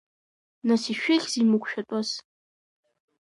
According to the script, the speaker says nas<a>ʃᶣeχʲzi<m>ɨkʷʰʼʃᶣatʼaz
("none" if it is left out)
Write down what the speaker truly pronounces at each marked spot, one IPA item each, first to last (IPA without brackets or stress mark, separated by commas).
i, m